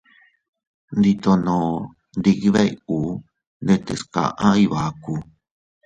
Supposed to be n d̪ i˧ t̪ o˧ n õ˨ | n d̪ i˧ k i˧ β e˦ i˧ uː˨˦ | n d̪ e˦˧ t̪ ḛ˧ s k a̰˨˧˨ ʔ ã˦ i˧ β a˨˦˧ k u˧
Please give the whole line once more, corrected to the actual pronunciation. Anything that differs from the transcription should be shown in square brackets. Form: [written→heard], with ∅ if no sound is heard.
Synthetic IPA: n d̪ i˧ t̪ o˧ n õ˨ | n d̪ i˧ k i˧ β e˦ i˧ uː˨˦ | n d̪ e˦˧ t̪ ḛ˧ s k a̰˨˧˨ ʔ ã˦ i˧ β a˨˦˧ k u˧